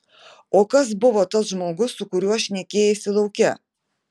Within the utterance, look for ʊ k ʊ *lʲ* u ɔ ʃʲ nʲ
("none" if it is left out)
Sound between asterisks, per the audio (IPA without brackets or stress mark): ɾʲ